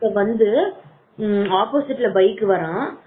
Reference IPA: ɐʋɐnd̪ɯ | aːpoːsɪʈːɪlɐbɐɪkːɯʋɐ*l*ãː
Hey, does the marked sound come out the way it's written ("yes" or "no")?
no